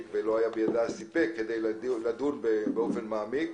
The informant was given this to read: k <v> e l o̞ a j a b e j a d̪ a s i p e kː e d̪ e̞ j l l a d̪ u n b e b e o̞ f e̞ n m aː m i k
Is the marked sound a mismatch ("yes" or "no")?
no